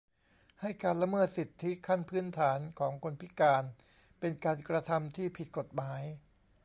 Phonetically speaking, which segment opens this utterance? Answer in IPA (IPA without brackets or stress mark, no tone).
h